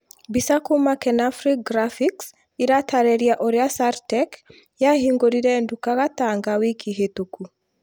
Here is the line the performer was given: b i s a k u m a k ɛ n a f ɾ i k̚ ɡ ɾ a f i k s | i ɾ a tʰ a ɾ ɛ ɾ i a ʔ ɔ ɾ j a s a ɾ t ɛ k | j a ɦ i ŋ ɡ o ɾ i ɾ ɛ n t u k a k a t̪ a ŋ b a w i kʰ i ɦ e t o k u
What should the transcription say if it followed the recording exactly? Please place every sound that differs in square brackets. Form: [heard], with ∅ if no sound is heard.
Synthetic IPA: b i s a k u m a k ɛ n a f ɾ i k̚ ɡ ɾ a f i k s | i ɾ a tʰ a ɾ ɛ ɾ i a ʔ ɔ ɾ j a s a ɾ t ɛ k | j a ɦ i ŋ ɡ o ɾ i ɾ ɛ n [d] u k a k a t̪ a ŋ [ɡ] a w i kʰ i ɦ e t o k u